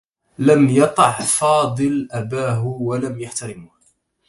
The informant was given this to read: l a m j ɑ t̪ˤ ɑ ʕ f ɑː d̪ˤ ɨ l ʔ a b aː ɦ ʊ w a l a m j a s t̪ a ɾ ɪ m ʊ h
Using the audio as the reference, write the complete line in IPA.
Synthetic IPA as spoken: l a m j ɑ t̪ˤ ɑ ʕ f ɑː d̪ˤ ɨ l ʔ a b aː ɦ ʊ w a l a m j a ħ t̪ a ɾ ɪ m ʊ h